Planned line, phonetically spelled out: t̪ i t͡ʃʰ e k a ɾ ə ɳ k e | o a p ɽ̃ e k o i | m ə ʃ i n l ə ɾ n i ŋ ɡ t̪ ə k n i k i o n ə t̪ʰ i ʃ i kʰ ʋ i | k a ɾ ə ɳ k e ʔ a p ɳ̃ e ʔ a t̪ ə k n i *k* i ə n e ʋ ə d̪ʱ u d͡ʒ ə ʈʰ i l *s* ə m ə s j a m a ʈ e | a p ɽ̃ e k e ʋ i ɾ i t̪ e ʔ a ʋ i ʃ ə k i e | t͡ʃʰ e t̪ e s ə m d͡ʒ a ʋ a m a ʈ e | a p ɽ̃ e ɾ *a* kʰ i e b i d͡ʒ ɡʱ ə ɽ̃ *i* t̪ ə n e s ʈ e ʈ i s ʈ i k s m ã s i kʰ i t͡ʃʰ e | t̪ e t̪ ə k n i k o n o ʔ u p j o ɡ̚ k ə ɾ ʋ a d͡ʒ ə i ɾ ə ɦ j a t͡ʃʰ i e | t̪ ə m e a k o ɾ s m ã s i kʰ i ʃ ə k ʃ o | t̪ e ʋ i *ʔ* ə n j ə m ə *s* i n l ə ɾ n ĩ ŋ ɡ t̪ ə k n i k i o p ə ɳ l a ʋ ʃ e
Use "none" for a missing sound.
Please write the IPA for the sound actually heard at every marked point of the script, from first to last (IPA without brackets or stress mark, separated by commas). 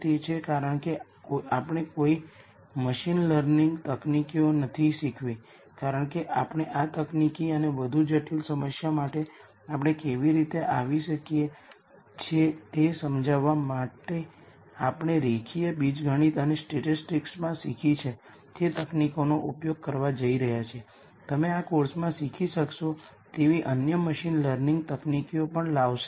k, s, e, i, ʔ, ʃ